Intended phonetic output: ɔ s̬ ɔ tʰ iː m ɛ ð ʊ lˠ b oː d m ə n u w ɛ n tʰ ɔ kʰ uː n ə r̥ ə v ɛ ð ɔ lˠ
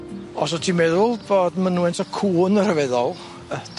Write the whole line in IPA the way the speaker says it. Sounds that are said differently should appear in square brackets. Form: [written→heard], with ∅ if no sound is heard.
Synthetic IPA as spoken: ɔ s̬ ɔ tʰ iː m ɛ ð ʊ lˠ b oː d m ə n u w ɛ n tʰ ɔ kʰ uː n ə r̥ ə v ɛ ð ɔ lˠ